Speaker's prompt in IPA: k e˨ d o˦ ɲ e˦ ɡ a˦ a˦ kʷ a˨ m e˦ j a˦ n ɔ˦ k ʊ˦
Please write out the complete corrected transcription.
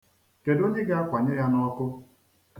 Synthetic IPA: k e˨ d o˦ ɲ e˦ ɡ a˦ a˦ kʷ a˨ ɲ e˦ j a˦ n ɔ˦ k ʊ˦